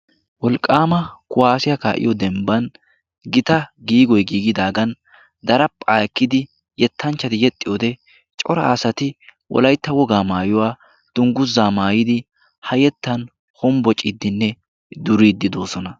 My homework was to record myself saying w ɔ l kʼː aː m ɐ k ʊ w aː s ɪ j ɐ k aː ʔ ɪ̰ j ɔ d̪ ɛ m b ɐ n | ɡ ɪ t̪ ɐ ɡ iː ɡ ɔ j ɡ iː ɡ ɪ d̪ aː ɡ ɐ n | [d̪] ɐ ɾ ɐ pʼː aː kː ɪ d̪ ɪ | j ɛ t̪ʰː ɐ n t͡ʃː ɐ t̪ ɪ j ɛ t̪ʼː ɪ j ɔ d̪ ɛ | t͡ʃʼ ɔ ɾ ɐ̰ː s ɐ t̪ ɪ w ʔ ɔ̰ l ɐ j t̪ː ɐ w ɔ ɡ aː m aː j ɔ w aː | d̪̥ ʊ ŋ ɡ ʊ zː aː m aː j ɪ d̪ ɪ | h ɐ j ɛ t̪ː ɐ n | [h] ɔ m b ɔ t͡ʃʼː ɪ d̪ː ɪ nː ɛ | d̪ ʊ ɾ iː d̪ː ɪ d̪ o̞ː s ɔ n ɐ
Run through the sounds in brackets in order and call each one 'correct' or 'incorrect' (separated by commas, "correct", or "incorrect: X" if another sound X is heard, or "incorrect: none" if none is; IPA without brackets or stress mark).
correct, correct